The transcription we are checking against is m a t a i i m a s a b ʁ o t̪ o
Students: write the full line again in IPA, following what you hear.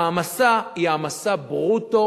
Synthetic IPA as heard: m a s a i a m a s a b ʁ u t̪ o